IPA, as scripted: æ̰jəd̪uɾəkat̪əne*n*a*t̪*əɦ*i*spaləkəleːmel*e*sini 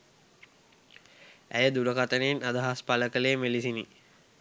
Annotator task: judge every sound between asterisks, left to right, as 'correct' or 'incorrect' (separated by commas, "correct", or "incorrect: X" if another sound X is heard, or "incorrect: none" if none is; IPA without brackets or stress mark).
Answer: correct, incorrect: d̪, incorrect: a, incorrect: i